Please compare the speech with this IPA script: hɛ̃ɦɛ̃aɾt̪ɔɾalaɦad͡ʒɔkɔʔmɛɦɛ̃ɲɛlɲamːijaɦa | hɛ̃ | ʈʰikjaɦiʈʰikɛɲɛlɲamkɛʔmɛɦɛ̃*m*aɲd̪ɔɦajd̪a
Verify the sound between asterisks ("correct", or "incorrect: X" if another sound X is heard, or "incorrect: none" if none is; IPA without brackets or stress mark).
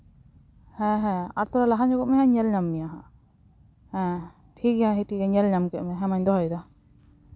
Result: correct